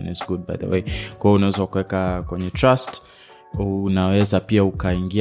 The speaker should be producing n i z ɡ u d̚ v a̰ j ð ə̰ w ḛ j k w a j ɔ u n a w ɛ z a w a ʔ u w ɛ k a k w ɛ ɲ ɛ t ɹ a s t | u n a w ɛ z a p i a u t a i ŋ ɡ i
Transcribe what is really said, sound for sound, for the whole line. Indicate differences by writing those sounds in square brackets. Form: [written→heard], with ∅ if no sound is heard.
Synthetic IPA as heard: n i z ɡ u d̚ [v→b] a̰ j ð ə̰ w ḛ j k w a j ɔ u n a w ɛ z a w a [ʔ→k] u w ɛ k a k w ɛ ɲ ɛ t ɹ a s t | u n a w ɛ z a p i a u [t→k] a i ŋ ɡ i